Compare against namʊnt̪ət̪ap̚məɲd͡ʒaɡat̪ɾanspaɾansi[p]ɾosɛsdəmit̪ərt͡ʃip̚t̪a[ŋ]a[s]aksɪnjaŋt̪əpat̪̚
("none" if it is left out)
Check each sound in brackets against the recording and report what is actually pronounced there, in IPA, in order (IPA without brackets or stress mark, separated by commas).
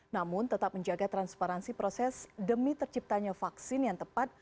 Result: p, ɲ, f